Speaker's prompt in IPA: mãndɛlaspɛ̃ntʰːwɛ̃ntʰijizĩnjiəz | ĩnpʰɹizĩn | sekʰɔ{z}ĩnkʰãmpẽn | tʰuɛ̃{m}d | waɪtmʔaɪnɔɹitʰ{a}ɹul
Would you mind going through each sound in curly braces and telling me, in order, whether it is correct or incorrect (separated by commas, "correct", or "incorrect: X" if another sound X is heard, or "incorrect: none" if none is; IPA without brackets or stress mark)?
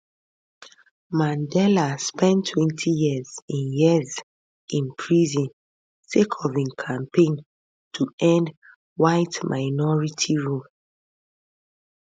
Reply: incorrect: v, incorrect: n, incorrect: i